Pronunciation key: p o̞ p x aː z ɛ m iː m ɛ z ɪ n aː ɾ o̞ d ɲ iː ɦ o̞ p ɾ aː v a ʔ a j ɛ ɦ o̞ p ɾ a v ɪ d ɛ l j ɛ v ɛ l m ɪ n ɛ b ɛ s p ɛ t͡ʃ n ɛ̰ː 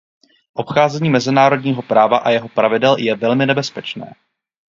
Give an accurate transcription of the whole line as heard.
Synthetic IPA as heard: ʔ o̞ p x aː z ɛ ɲ iː m ɛ z ɪ n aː ɾ o̞ d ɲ iː ɦ o̞ p ɾ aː v a ʔ a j ɛ ɦ o̞ p ɾ a v ɪ d ɛ l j ɛ v ɛ l m ɪ n ɛ b ɛ s p ɛ t͡ʃ n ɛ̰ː